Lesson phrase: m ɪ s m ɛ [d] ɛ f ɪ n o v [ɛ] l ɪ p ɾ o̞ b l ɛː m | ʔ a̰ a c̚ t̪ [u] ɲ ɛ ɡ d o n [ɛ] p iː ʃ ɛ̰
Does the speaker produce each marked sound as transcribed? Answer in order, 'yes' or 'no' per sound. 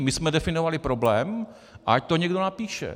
yes, no, no, no

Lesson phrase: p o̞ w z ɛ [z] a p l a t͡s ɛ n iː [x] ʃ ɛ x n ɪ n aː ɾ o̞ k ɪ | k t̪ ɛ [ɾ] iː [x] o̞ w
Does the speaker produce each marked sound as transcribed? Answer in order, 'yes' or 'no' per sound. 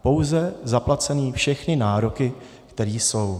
yes, no, yes, no

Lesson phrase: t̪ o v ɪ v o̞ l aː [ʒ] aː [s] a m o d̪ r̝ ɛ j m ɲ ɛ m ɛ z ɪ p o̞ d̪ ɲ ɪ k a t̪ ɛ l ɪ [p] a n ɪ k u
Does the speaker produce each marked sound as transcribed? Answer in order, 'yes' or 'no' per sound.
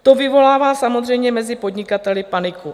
no, yes, yes

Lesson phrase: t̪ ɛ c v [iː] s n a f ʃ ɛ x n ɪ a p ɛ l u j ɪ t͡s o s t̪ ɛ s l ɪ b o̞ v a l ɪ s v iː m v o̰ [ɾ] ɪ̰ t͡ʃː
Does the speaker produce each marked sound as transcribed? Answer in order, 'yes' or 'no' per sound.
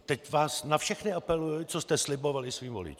no, no

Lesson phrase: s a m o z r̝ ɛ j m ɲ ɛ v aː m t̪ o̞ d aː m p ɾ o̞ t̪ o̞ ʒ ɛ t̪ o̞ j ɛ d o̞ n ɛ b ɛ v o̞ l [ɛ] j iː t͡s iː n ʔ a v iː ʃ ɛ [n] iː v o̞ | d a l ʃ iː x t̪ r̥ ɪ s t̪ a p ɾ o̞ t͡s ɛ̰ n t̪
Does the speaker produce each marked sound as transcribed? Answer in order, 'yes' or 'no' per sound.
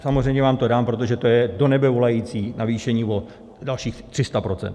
no, no

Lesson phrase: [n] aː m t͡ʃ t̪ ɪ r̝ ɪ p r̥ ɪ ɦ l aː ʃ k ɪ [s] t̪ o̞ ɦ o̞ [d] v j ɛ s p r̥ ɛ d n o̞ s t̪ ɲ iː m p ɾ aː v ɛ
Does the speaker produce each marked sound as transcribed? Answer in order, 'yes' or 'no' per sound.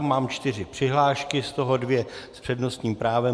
no, yes, yes

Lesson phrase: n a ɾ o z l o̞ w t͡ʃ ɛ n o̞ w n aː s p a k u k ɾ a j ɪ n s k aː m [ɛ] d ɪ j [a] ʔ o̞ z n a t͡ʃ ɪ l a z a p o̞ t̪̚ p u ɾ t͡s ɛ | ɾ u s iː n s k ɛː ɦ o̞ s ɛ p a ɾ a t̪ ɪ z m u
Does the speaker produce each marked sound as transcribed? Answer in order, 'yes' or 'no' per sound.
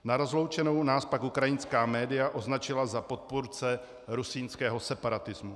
no, yes

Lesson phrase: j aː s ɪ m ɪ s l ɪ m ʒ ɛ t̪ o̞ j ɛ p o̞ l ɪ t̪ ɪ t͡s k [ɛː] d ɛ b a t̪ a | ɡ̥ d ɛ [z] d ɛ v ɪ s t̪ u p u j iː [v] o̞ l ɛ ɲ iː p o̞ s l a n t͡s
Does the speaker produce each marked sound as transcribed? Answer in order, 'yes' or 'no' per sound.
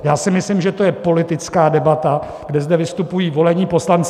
no, yes, yes

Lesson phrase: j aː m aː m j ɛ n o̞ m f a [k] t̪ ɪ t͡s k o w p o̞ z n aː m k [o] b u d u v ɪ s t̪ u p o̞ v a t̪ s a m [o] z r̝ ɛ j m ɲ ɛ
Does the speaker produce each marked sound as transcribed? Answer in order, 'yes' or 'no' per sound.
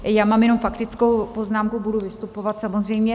yes, no, yes

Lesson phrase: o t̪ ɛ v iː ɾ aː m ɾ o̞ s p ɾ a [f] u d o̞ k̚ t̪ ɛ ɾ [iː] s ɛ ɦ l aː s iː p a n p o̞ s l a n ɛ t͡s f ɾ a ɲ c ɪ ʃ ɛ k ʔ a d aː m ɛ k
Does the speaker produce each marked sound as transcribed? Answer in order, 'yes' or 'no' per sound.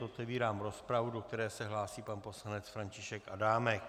no, no

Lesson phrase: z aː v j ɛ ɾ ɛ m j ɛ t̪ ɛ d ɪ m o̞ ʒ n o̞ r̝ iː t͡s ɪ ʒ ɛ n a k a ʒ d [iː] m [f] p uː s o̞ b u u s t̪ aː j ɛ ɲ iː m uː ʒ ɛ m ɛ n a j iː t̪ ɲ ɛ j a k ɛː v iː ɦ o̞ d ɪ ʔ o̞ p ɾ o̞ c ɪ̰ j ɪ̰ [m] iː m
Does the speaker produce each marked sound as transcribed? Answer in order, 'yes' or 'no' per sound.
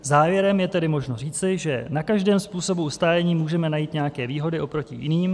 no, no, no

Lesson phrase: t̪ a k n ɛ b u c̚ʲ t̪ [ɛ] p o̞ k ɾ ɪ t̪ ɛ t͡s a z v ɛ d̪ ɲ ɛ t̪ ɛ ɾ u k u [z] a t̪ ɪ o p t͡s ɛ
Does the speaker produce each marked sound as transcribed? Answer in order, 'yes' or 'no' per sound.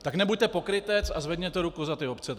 yes, yes

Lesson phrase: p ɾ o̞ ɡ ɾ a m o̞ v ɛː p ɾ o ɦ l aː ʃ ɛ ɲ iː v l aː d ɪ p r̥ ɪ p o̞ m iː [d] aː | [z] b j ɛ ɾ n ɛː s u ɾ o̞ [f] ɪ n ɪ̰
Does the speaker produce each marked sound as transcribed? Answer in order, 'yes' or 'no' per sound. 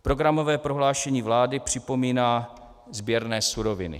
no, yes, no

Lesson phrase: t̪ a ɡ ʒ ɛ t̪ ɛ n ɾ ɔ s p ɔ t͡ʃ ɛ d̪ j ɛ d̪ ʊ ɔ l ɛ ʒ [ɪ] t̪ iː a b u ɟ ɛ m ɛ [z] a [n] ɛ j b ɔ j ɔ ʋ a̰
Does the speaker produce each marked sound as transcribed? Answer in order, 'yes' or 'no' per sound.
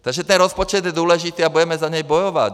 no, yes, no

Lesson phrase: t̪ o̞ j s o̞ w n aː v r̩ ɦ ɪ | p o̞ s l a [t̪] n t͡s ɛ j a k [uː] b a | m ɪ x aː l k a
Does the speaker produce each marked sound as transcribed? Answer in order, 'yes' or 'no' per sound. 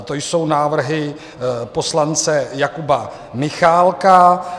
no, no

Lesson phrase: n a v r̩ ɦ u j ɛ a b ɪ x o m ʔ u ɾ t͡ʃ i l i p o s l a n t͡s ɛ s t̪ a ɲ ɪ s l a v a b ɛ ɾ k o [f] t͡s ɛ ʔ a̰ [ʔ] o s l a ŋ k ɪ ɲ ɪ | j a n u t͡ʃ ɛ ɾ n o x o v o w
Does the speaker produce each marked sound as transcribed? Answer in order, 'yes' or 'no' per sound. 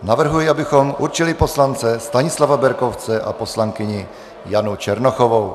yes, no

